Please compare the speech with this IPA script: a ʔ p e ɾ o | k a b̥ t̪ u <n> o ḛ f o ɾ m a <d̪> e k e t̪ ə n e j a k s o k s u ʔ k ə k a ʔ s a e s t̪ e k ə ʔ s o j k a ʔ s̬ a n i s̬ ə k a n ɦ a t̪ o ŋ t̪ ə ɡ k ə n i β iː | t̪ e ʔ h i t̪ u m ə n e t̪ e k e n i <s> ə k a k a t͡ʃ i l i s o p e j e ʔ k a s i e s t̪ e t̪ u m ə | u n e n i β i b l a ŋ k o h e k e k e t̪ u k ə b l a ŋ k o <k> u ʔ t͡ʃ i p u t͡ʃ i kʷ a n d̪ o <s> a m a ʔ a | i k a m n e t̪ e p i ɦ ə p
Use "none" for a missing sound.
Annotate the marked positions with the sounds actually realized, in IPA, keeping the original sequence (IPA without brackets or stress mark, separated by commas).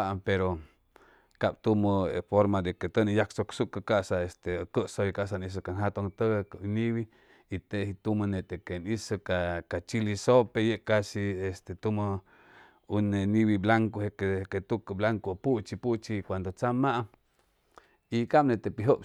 m, d̪, s, p, t͡s